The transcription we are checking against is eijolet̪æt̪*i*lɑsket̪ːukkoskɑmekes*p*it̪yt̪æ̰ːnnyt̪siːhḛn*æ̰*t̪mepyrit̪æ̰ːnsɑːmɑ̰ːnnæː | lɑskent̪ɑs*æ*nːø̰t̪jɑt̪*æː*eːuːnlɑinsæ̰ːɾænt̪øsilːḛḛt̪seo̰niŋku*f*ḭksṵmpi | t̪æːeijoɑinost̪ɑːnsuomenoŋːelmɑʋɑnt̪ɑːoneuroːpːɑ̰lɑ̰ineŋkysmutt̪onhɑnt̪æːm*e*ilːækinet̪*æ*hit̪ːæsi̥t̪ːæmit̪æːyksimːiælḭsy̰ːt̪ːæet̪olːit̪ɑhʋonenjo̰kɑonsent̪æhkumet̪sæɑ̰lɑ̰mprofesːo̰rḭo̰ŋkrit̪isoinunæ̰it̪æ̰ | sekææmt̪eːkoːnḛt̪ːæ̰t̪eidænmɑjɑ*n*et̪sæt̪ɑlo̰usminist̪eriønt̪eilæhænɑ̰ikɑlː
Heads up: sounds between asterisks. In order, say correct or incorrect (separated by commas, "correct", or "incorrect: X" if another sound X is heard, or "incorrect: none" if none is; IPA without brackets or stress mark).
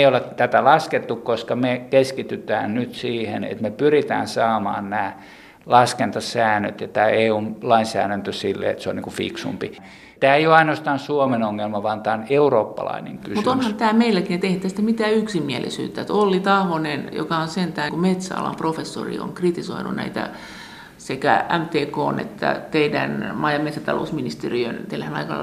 incorrect: æ, incorrect: k, incorrect: ḛ, incorrect: æː, correct, correct, correct, incorrect: e, incorrect: m